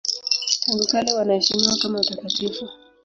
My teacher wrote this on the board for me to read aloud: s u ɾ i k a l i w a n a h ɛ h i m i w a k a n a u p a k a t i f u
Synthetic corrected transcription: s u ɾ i k a l i w a n a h ɛ ʃ i m i w a k a m a u t a k a t i f u